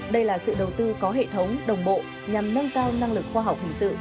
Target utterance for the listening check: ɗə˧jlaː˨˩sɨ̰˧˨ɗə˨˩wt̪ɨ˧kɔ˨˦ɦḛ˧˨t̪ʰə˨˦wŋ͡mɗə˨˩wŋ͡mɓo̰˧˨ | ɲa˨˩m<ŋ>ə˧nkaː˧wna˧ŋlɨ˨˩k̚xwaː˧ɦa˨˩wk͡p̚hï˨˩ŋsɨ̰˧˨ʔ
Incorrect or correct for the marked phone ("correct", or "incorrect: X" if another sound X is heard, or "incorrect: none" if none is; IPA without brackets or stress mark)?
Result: incorrect: n